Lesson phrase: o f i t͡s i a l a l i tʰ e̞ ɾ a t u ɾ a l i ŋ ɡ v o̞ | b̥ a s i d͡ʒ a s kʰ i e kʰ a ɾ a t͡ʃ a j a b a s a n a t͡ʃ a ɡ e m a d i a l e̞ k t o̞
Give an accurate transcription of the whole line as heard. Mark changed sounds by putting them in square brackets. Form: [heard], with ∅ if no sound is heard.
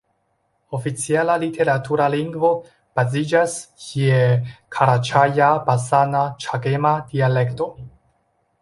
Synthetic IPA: o f i t͡s i a l a l i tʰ e̞ ɾ a t u ɾ a l i ŋ ɡ v o̞ | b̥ a [z] i d͡ʒ a s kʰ i e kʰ a ɾ a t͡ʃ a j a b a s a n a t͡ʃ a ɡ e m a d i a l e̞ k t o̞